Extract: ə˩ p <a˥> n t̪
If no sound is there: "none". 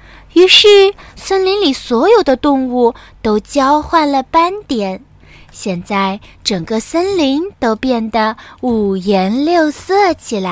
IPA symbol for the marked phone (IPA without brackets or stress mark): a˥